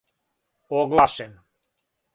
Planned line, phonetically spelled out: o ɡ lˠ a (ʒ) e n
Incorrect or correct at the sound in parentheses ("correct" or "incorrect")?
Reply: incorrect